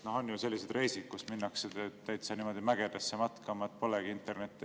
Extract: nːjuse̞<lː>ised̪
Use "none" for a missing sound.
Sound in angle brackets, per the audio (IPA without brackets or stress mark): lː